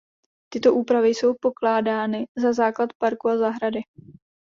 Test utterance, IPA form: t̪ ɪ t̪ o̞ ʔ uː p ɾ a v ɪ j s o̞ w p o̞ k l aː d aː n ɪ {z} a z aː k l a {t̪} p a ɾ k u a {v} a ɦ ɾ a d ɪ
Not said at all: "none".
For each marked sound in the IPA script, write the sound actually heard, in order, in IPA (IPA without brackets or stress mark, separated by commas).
z, t̪, z